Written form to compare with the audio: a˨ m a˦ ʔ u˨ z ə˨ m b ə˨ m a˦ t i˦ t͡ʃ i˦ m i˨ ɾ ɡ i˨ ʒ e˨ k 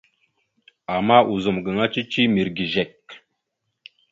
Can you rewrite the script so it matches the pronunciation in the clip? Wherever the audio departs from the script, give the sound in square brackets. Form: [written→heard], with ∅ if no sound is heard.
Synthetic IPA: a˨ m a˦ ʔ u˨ z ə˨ m [b→ɡ] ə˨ [m→ŋ] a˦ [t→t͡ʃ] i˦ t͡ʃ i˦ m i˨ ɾ ɡ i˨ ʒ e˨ k

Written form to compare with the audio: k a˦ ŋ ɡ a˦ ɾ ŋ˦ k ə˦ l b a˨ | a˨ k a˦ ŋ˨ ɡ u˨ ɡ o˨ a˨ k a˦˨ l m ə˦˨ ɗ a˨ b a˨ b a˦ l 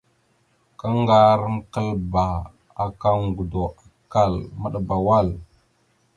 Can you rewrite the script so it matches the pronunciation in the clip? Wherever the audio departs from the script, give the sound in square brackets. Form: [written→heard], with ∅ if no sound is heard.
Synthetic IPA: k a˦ ŋ ɡ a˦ ɾ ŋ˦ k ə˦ l b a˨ | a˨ k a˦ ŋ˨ ɡ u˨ [ɡ→d] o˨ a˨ k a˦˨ l m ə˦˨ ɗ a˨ b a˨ [b→w] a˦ l

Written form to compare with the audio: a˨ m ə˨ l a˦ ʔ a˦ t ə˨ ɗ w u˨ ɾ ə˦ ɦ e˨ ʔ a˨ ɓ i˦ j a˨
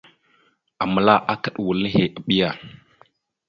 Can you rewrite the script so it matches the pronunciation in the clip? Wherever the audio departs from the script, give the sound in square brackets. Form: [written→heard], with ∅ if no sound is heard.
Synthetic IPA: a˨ m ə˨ l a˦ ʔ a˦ [t→k] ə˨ ɗ w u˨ [ɾ→l] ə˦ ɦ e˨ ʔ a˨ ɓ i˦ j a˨

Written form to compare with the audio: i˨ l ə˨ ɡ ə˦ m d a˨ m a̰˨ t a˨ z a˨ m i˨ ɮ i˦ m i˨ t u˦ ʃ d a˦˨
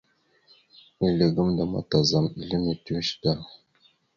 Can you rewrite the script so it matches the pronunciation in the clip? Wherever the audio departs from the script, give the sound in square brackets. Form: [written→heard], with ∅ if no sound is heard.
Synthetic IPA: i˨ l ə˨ ɡ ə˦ m d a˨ m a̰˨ t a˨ z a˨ m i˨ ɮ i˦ m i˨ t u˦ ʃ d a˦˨

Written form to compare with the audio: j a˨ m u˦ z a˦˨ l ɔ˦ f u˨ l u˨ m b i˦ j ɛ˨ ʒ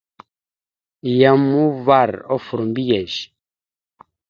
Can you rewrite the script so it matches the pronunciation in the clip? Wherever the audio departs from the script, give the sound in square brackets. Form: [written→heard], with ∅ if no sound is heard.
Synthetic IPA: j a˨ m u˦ [z→v] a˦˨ [l→ɾ] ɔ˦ f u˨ [l→ɾ] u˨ m b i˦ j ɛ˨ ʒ

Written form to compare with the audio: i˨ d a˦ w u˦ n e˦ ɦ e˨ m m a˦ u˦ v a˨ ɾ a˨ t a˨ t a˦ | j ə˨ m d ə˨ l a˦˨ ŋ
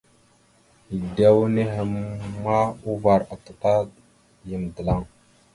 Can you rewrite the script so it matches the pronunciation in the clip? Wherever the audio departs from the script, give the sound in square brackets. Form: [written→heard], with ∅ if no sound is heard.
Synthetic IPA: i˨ d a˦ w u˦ n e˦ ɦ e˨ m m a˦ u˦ v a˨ ɾ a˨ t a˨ t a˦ | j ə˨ m d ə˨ l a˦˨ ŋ

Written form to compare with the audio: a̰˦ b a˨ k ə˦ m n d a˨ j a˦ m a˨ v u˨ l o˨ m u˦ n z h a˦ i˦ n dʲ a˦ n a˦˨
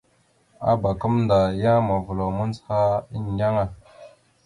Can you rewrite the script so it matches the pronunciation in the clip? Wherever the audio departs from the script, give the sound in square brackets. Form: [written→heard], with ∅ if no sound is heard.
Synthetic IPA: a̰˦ b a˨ k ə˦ m n d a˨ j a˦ m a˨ v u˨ l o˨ m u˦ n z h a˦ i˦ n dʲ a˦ [n→ŋ] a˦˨

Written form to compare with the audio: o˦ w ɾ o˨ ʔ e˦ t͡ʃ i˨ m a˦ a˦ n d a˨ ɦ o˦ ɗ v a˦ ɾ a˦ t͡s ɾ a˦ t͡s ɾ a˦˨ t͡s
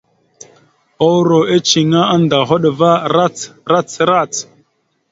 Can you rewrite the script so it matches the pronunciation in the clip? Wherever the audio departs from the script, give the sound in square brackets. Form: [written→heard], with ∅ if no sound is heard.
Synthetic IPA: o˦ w ɾ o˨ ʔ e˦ t͡ʃ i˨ [m→ŋ] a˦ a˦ n d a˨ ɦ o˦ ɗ v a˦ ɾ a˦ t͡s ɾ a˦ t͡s ɾ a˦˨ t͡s

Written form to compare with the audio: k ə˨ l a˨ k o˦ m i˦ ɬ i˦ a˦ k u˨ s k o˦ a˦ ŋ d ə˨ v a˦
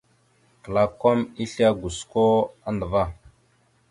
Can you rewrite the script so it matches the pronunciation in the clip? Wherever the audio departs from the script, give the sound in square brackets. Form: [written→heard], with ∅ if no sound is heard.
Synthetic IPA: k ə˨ l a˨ k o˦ m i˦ ɬ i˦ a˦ [k→ɡ] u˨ s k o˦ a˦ [ŋ→n] d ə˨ v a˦

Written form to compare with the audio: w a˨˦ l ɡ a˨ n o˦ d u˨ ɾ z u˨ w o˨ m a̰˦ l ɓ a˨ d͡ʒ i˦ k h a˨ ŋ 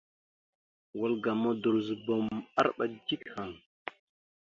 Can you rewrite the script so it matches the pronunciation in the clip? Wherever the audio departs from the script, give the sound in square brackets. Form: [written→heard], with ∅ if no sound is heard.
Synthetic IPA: w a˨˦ l ɡ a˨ [n→m] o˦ d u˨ ɾ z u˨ [w→b] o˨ m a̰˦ [l→ɾ] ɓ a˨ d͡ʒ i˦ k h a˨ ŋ

